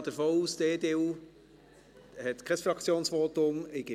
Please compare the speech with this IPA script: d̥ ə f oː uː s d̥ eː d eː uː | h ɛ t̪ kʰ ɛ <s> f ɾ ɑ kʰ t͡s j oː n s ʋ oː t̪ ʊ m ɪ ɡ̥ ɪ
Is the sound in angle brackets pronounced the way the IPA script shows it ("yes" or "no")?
yes